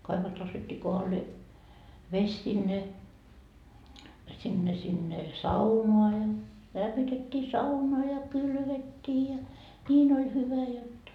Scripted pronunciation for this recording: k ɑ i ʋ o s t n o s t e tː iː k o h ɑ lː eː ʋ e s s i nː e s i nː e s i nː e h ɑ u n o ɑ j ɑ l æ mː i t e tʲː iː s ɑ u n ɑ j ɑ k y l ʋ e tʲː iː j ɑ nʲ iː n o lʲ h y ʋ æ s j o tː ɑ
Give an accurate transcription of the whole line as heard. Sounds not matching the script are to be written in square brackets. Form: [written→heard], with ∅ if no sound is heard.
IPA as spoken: k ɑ i ʋ o s t n o s t e tː iː k o h ɑ lː eː ʋ e s s i nː e s i nː e s i nː e [h→s] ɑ u n o ɑ j ɑ l æ mː i t e tʲː iː s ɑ u n ɑ j ɑ k y l ʋ e tʲː iː j ɑ nʲ iː n o lʲ h y ʋ æ [s→∅] j o tː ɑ

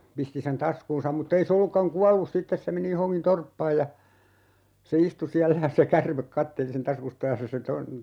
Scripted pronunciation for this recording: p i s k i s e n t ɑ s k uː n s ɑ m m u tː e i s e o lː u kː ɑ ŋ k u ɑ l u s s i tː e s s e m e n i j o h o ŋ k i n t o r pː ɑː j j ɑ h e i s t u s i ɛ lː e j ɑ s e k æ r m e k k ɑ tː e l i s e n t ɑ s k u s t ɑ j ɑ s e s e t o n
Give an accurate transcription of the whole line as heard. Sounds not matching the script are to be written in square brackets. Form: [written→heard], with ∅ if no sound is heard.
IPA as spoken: p i s [k→t] i s e n t ɑ s k uː n s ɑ m m u tː e i s e o lː u kː ɑ ŋ k u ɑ [l→lː] u s s i tː e s s e m e n i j o h o ŋ k i n t o r pː ɑː j j ɑ [h→s] e i s t u s i [ɛ→æ] lː [e→æ] j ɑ s e k æ r m e k k ɑ tː e l i s e n t ɑ s k u s t ɑ j ɑ s e s e t o n

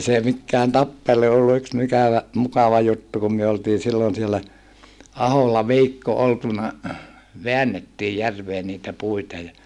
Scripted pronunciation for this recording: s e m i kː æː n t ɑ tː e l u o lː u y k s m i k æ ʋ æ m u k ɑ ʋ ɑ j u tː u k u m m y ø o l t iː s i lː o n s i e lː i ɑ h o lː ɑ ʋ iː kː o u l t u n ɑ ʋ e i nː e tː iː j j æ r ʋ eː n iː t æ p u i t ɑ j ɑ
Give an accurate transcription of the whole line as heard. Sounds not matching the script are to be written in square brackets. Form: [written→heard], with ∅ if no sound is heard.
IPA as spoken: s e m i kː æː n t ɑ [tː→pː] e l u o lː u y k s m i k æ ʋ æ m u k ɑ ʋ ɑ j u tː u k u m m y ø o l t iː s i lː o n s i e lː [i→æ] ɑ h o lː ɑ ʋ iː kː o [u→o] l t u n ɑ ʋ e [i→æ] nː e tː iː j j æ r ʋ eː n iː t æ p u i t ɑ j ɑ

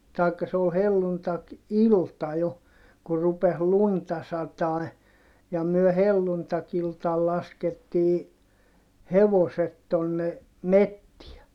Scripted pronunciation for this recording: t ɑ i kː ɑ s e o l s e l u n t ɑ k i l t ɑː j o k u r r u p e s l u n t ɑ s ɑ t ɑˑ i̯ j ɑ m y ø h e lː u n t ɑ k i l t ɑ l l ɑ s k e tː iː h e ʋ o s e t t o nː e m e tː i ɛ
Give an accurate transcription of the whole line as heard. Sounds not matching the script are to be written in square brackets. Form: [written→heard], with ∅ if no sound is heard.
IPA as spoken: t ɑ i kː ɑ s e o l [s→h] e [l→lː] u n t ɑ k i l t [ɑː→ɑ] j o k u r r u p e s l u n t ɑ s ɑ t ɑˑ i̯ j ɑ m y ø h e lː u n t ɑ k i l t ɑ l l ɑ s k e tː iː h e ʋ o s e t t o nː e m e tː i ɛ

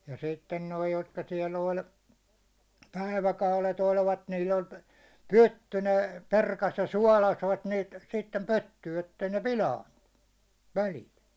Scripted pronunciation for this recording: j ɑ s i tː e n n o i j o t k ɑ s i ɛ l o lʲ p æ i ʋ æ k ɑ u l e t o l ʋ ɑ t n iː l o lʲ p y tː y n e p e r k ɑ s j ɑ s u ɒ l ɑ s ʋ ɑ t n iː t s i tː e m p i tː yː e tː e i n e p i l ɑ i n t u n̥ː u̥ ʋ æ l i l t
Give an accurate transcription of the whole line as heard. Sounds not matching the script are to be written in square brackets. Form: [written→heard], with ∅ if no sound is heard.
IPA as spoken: j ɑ s i tː e n n o i j o t k ɑ s i ɛ l o lʲ p æ i ʋ æ k ɑ u l e t o l ʋ ɑ t n iː l o lʲ p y tː y n e p e r k ɑ s j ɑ s u ɒ l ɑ s ʋ ɑ t n iː t s i tː e m p [i→y] tː yː e tː e i n e p i l ɑ i n t u n̥ː u̥ ʋ æ l i l t

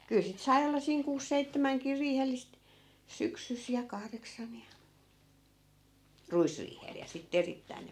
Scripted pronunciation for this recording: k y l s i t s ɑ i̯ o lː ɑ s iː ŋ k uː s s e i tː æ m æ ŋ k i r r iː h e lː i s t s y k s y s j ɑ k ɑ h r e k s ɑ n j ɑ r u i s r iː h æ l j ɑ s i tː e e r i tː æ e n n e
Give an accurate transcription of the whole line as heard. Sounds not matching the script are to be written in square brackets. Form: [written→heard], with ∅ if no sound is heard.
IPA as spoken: k y l s i t s ɑ i̯ o lː ɑ s iː ŋ k uː s s e i tː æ m æ ŋ k i r r iː h e lː i s t s y k s y s j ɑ k ɑ h r e k s ɑ n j ɑ r u i s r iː h [æ→e] l j ɑ s i tː e e r i tː æ [e→i] n n e

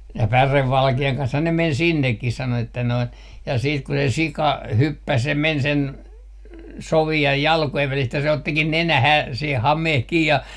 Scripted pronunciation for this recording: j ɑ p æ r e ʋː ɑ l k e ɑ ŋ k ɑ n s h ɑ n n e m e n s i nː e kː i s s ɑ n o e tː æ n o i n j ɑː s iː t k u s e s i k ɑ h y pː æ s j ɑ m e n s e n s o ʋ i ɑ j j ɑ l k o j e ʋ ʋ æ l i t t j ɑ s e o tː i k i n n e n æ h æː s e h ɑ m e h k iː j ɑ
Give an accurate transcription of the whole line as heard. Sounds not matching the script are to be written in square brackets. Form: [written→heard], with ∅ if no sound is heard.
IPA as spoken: j ɑ p æ r e ʋː ɑ l k e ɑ ŋ k ɑ n s h ɑ n n e m e n s i nː e kː i s s ɑ n o e tː æ n o i n j [ɑː→ɑ] s iː t k u s e s i k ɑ h y pː æ s j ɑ m e n s e n s o ʋ i ɑ j j ɑ l k o j e ʋ ʋ æ l i [t→s] t j ɑ s e o tː i k i n n e n æ h æː s e h ɑ m e h k iː j ɑ

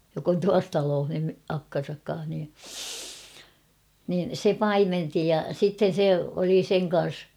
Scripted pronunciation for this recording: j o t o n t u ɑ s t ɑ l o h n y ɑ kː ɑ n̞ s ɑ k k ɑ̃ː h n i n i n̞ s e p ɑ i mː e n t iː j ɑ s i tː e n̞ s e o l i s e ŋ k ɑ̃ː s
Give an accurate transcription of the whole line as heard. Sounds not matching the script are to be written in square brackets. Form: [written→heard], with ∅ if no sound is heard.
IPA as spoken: j o [t→k] o n t u ɑ s t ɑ l [o→oː] h n y ɑ kː ɑ n̞ s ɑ k k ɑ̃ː h n i n i n̞ s e p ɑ i [mː→m] e n t [iː→i] j ɑ s i tː e n̞ s e o l i s e ŋ k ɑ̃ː s

